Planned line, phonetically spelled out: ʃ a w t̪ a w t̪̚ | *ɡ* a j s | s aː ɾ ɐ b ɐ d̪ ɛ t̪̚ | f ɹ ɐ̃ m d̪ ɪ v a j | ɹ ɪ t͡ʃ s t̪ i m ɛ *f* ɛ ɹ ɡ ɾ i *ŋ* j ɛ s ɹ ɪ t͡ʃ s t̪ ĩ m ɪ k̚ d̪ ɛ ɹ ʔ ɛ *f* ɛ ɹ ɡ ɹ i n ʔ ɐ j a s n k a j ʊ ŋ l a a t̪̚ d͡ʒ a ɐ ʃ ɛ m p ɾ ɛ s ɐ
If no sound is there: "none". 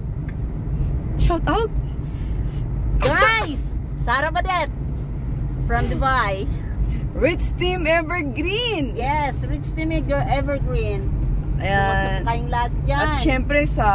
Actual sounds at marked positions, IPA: ɡ, v, n, v

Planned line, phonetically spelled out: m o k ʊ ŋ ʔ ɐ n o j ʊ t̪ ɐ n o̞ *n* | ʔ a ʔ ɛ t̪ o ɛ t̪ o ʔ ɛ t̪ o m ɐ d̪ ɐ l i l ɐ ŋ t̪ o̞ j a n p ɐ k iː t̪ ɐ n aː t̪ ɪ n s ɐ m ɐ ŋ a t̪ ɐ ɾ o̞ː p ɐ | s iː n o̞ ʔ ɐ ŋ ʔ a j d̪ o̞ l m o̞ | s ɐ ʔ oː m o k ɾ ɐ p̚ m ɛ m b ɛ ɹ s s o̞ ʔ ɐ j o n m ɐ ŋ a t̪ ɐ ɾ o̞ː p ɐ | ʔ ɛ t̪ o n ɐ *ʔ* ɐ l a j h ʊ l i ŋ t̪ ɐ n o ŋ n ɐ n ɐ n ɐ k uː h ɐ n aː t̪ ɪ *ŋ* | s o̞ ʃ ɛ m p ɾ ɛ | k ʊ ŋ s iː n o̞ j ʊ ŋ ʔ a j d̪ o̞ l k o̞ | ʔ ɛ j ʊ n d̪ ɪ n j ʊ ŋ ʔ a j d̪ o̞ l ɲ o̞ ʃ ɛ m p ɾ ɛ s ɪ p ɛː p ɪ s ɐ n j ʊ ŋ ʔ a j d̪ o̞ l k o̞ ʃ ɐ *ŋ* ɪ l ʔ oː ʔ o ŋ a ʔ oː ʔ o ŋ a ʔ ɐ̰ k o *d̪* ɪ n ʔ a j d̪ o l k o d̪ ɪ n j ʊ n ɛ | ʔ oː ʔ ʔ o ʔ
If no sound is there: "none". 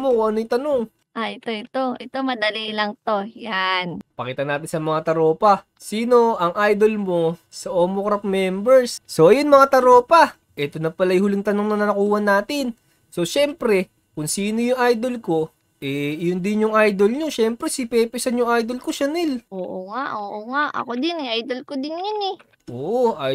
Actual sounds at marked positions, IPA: ŋ, p, n, n, d̪

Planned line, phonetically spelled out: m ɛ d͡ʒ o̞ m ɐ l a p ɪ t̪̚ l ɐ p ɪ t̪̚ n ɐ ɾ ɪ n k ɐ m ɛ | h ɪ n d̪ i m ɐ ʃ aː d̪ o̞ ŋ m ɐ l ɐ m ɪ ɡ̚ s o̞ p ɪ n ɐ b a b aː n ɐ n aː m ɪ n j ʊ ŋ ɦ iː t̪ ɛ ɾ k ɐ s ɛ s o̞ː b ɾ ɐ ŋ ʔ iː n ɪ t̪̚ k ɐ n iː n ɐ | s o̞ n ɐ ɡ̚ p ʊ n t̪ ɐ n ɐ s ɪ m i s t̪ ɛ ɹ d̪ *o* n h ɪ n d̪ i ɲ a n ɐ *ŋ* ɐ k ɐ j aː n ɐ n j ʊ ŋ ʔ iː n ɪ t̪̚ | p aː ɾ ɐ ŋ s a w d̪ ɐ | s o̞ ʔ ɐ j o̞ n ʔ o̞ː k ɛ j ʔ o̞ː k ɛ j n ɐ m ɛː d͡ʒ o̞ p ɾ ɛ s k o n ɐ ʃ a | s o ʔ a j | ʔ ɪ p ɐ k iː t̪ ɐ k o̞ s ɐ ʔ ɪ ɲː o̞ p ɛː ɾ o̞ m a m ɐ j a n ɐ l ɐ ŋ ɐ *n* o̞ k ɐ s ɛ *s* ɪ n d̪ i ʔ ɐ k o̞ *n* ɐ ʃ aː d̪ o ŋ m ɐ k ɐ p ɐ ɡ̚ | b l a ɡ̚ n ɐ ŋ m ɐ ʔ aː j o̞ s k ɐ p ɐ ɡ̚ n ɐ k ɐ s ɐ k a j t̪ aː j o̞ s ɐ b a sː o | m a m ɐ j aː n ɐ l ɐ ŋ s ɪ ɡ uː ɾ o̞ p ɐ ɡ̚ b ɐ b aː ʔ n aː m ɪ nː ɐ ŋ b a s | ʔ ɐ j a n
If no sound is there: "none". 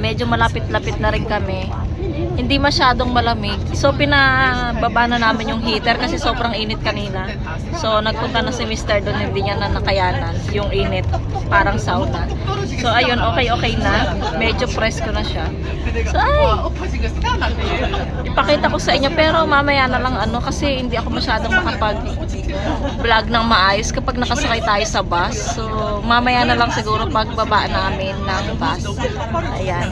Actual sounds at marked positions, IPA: o, n, n, h, m

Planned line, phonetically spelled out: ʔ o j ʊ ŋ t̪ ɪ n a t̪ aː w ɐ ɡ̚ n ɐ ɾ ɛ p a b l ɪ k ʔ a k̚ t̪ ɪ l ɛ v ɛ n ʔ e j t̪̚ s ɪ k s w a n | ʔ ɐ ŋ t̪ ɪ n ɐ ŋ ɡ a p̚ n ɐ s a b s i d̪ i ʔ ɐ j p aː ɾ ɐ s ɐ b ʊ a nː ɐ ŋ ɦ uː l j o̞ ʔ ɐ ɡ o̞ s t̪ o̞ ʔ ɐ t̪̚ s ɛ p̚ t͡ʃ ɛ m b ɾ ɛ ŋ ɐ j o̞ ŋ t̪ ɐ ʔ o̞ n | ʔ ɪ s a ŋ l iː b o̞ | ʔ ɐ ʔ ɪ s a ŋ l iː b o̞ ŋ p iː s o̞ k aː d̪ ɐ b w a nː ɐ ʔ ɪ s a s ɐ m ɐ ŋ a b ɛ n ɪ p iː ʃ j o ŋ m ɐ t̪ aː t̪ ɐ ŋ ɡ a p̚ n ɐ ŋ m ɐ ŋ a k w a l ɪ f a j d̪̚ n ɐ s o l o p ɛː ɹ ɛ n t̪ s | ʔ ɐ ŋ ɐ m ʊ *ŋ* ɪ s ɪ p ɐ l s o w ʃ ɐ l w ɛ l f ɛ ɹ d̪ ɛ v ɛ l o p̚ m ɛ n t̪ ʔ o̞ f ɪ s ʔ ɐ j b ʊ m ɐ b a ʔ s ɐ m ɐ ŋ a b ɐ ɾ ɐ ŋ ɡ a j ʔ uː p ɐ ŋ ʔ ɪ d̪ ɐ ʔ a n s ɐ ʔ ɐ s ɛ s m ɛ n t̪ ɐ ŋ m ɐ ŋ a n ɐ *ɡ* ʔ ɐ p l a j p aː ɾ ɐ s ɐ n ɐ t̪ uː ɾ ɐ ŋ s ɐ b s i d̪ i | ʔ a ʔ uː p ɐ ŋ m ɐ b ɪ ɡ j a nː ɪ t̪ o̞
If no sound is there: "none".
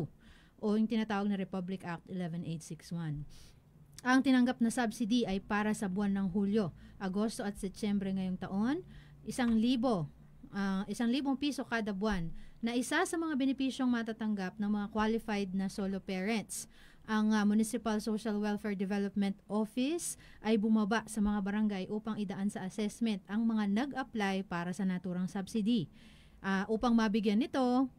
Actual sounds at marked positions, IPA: n, ɡ

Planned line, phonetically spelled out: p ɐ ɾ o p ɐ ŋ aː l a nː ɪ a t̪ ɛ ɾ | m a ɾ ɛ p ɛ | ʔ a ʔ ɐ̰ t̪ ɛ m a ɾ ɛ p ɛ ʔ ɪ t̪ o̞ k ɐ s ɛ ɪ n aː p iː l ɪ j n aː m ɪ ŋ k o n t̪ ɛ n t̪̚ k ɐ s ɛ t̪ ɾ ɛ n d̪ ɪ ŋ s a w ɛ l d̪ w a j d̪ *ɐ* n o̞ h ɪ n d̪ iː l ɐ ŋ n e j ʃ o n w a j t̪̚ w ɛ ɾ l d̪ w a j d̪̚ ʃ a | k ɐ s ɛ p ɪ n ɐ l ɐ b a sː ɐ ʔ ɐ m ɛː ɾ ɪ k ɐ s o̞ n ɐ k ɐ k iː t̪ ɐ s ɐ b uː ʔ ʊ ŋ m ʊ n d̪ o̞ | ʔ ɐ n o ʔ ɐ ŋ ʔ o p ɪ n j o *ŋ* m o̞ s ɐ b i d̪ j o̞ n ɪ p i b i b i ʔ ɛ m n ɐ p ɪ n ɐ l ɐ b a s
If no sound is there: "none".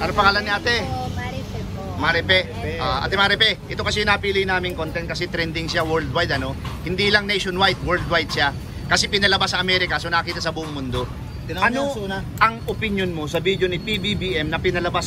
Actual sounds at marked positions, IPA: ɐ, n

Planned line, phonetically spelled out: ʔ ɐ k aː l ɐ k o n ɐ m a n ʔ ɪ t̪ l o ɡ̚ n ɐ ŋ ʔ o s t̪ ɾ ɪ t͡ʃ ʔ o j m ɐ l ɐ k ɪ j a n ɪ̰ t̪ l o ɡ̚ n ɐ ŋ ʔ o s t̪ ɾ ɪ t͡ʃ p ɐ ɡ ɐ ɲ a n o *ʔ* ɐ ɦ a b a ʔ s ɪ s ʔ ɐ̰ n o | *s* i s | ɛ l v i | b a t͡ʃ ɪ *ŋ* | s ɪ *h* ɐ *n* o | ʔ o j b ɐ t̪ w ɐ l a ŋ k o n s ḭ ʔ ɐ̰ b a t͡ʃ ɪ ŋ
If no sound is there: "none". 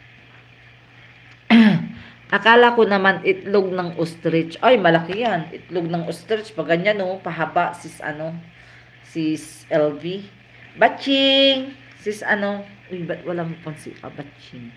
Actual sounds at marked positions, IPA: p, s, ŋ, s, n

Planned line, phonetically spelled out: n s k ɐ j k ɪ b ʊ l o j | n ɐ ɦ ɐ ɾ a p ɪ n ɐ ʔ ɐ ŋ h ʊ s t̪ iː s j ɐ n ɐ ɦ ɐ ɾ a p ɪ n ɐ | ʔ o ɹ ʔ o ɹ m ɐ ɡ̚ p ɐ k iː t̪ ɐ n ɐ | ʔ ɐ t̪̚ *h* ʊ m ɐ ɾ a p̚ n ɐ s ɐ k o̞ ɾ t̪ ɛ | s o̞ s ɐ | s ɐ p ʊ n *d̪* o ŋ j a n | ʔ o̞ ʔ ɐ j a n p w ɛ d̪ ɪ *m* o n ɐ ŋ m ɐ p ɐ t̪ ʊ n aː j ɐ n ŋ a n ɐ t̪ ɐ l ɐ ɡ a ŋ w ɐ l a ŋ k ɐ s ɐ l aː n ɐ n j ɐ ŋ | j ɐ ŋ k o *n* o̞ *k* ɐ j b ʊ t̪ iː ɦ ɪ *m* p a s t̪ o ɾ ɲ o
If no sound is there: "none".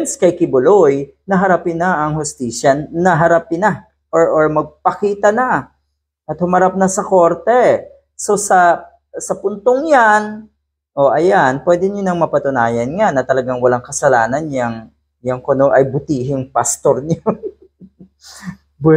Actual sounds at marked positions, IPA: h, t̪, ɲ, n, ʔ, ŋ

